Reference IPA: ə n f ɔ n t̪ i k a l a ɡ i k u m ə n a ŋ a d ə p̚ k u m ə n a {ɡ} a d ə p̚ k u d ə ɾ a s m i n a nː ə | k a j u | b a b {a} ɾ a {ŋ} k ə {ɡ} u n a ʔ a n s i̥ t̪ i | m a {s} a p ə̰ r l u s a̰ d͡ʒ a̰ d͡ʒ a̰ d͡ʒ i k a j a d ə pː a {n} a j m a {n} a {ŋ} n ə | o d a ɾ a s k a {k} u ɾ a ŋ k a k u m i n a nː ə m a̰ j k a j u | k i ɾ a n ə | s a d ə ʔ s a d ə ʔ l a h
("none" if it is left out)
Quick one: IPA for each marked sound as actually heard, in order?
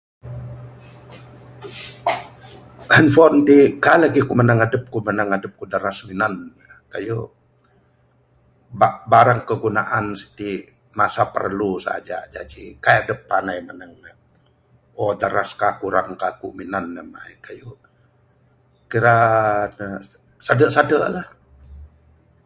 ŋ, a, ŋ, ɡ, s, n, n, ŋ, k

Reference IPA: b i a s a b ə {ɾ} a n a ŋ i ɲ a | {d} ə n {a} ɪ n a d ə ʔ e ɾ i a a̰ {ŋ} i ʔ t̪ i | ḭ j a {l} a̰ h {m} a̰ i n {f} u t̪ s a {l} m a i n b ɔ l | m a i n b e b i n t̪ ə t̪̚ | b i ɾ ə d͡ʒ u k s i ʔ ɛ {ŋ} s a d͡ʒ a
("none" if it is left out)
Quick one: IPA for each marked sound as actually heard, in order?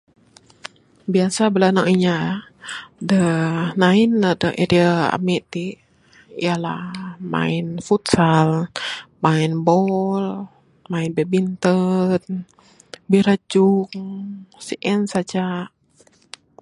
l, d, a, m, l, m, f, l, n

